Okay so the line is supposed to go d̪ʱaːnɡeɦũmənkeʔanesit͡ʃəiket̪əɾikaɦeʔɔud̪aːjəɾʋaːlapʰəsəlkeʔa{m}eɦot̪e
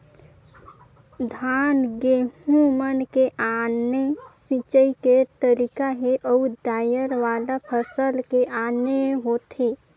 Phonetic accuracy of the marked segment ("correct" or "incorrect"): incorrect